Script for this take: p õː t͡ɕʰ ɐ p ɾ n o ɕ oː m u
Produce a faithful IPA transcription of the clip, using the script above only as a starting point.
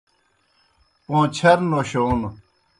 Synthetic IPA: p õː t͡ɕʰ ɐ ɾ n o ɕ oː n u